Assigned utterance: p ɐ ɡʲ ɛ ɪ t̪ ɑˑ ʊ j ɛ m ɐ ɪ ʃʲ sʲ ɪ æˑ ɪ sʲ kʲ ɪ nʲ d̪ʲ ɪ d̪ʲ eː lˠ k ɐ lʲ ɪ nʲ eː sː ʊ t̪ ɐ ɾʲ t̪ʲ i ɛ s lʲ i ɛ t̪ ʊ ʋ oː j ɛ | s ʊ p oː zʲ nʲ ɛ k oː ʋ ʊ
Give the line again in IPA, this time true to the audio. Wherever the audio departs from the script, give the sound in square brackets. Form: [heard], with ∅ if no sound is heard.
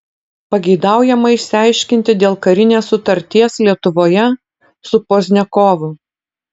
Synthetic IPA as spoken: p ɐ ɡʲ ɛ ɪ [d̪] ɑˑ ʊ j ɛ m ɐ ɪ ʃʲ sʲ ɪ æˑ ɪ [ʃʲ] kʲ ɪ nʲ [t̪ʲ] ɪ d̪ʲ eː lˠ k ɐ [ɾʲ] ɪ nʲ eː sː ʊ t̪ ɐ ɾʲ t̪ʲ i ɛ s lʲ i ɛ t̪ ʊ ʋ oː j ɛ | s ʊ p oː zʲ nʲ ɛ k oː ʋ ʊ